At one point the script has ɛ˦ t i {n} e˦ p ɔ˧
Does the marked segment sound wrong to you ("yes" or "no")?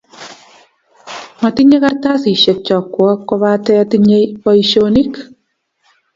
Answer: yes